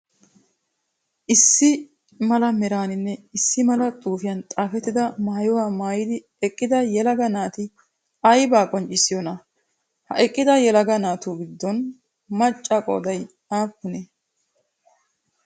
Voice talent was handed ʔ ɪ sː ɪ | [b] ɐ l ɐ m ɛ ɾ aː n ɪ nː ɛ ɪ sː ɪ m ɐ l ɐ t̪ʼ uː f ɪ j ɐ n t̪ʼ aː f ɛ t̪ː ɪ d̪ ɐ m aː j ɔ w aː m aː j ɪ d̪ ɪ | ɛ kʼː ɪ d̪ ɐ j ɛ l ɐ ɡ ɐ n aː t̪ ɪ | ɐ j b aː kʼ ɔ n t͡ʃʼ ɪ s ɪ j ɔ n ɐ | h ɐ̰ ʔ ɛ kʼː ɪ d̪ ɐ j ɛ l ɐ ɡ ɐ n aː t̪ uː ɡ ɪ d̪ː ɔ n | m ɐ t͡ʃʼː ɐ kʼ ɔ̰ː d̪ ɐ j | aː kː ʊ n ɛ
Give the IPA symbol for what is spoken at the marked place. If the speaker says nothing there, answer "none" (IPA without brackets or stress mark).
m